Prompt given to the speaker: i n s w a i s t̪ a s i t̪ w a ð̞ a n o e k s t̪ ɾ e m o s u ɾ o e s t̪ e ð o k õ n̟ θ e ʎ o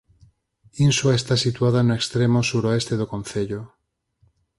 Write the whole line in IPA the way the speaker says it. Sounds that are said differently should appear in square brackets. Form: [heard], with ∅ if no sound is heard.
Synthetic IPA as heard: i n s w a [e] s t̪ a s i t̪ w a ð̞ a n o e k s t̪ ɾ e m o s u ɾ o e s t̪ e ð o k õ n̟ θ e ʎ o

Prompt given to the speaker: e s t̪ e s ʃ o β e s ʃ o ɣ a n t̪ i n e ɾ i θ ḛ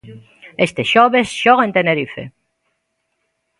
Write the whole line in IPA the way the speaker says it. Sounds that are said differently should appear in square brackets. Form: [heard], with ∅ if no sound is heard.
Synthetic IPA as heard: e s t̪ e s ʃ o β e s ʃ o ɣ [e] n t̪ [e] n e ɾ i [f] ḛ

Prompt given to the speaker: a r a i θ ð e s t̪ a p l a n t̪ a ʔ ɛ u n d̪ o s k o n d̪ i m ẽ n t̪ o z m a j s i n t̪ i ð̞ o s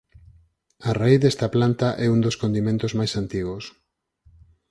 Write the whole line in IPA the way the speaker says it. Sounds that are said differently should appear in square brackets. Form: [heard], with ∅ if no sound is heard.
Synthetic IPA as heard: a r a i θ ð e s t̪ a p l a n t̪ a ʔ ɛ u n d̪ o s k o n d̪ i m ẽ n t̪ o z m a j s [a] n t̪ i [ɣ̞] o s

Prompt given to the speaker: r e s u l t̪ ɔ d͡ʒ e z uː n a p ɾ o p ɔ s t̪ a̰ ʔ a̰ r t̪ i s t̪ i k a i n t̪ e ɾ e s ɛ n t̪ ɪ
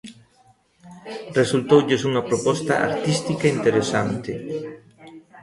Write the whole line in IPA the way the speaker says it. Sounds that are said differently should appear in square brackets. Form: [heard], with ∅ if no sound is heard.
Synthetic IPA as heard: r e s u l t̪ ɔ d͡ʒ e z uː n a p ɾ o p ɔ s t̪ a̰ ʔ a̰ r t̪ i s t̪ i k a i n t̪ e ɾ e s [a] n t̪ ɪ

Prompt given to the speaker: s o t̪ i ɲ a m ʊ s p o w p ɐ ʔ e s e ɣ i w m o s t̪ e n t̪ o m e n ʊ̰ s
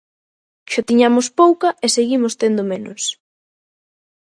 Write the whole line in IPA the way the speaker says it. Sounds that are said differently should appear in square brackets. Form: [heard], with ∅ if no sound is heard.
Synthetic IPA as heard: [ʃ] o t̪ i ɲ a m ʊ s p o w [k] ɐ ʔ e s e ɣ i [∅] m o s t̪ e n [d̪] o m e n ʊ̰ s

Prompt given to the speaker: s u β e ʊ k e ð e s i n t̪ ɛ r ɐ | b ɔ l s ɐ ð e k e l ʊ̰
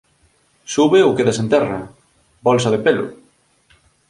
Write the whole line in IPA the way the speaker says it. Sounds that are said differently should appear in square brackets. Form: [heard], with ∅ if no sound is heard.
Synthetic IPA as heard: s u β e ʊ k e ð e s [e] n t̪ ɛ r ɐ | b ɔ l s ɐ ð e [p] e l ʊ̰

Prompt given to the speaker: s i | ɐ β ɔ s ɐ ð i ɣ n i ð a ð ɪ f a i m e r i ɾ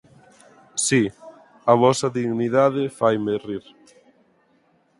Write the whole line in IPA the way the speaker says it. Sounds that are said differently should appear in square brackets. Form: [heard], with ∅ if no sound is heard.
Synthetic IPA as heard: s i | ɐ β ɔ s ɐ ð i ɣ n i ð a ð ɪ f a [j] m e r i ɾ

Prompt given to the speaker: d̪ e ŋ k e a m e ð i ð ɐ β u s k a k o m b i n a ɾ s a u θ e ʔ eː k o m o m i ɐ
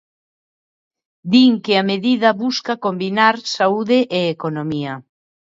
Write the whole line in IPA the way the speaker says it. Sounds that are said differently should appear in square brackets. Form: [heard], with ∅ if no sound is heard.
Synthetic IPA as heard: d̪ [i] ŋ k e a m e ð i ð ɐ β u s k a k o m b i n a ɾ s a u [ð] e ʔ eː k o [n] o m i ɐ

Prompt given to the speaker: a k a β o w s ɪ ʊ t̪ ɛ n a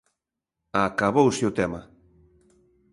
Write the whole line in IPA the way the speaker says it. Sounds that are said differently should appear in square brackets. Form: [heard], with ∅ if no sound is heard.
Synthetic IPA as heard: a k a β o w s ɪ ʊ t̪ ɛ [m] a

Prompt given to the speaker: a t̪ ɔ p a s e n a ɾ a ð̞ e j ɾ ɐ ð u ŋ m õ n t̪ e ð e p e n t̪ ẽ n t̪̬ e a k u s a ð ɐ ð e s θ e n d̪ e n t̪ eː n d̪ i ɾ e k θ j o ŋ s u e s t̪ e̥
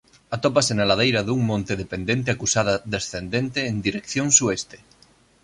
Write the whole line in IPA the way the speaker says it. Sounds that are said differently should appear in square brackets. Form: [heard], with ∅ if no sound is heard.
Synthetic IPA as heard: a t̪ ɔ p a s e n a [l] a ð̞ e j ɾ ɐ ð u ŋ m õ n t̪ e ð e p e n [d̪] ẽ n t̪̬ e a k u s a ð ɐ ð e s θ e n d̪ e n t̪ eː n d̪ i ɾ e k θ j o ŋ s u e s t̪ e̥

